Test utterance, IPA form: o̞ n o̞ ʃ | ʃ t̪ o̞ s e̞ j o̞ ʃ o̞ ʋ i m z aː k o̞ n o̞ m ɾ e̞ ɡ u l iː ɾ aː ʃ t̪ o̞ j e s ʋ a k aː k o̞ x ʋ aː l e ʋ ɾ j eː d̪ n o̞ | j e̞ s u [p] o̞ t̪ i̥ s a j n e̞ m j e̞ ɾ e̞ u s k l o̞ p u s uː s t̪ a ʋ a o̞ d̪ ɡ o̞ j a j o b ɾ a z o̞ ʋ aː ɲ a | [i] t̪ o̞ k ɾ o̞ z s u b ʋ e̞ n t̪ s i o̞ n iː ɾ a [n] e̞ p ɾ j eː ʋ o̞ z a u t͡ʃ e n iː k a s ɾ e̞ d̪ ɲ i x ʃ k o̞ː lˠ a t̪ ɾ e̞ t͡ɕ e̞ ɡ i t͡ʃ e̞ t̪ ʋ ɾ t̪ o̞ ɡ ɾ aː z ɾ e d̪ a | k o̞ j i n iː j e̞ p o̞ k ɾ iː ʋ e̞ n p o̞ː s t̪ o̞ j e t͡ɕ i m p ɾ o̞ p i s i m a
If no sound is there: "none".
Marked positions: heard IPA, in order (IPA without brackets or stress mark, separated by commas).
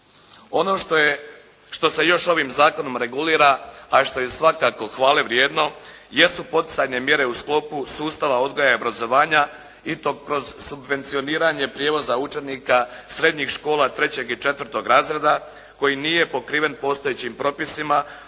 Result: p, i, ɲ